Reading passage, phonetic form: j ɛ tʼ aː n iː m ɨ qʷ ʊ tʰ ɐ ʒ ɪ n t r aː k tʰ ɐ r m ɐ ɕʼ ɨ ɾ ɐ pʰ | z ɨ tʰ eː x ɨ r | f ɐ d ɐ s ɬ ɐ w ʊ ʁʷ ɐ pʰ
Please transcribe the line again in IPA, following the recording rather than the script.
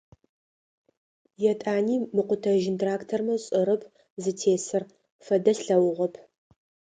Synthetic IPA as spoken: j ɛ tʼ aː n iː m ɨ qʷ ʊ tʰ ɐ ʒ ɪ n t r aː k tʰ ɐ r m ɐ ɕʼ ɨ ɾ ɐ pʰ | z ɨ tʰ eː s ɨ r | f ɐ d ɐ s ɬ ɐ w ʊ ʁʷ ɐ pʰ

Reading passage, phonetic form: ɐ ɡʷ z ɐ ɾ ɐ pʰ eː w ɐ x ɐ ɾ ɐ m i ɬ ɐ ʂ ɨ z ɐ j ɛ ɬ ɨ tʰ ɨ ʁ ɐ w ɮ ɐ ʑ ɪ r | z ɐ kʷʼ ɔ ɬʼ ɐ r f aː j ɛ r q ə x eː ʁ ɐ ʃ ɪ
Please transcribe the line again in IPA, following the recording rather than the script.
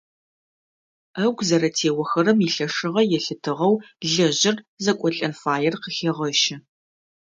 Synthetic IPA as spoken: ɐ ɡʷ z ɐ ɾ ɐ tʰ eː w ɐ x ɐ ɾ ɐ m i ɬ ɐ ʂ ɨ ʁ ɐ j ɛ ɬ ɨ tʰ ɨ ʁ ɐ w ɮ ɐ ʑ ɪ r | z ɐ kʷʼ ɔ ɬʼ ɐ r f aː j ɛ r q ə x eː ʁ ɐ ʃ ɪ

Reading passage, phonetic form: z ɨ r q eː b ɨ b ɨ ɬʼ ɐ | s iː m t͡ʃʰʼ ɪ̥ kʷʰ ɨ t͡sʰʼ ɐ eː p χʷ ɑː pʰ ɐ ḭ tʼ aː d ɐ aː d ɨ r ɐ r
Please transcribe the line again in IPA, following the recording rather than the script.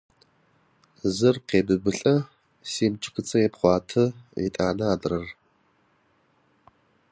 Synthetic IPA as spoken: z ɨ r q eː b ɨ b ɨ ɬʼ ɐ | s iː m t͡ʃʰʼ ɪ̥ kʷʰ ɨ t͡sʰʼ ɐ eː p χʷ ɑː tʰ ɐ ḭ tʼ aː n ɐ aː d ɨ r ɐ r

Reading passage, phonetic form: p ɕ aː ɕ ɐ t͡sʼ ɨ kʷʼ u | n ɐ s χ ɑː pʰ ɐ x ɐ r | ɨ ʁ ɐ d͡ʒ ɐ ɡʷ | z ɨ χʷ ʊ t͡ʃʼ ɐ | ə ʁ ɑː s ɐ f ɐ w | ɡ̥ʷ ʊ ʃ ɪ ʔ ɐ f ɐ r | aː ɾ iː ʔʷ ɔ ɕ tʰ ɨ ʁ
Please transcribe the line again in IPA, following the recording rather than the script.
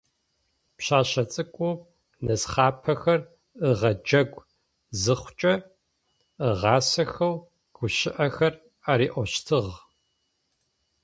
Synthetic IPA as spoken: p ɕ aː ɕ ɐ t͡sʼ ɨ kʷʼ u | n ɐ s χ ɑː pʰ ɐ x ɐ r | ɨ ʁ ɐ d͡ʒ ɐ ɡʷ | z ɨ χʷ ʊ t͡ʃʼ ɐ | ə ʁ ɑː s ɐ x ɐ w | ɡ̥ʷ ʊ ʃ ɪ ʔ ɐ x ɐ r | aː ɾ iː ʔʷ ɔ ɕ tʰ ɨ ʁ

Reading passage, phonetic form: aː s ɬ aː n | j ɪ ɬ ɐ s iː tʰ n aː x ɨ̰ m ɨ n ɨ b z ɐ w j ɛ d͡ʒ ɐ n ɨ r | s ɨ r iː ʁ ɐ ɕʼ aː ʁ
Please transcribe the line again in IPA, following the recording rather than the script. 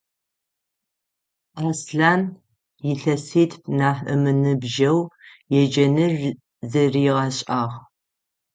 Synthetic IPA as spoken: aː s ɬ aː n | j ɪ ɬ ɐ s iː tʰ n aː ħ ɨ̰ m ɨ n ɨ b ʒ ɐ w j ɛ d͡ʒ ɐ n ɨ r | z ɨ r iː ʁ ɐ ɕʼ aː ʁ

